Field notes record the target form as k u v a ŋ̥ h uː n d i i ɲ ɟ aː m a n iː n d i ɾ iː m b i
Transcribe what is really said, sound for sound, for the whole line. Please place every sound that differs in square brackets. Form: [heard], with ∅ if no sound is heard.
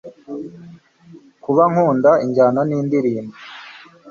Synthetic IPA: k u [β] a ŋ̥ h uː n d [a] i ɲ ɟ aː [n] a n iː n d i ɾ iː m b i